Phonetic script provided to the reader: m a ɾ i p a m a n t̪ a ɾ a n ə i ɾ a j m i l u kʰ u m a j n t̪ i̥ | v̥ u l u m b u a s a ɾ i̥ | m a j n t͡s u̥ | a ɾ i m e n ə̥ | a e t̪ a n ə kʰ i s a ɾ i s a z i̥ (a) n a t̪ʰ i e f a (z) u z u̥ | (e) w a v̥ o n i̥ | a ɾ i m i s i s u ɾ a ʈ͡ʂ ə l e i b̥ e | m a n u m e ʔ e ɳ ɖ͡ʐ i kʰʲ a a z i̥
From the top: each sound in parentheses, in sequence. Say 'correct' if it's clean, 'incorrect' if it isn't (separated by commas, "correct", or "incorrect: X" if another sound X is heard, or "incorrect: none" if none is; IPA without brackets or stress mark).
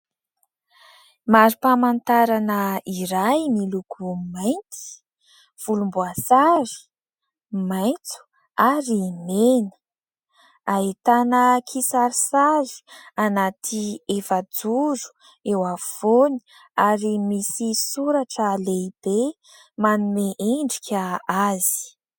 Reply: correct, incorrect: d͡z, correct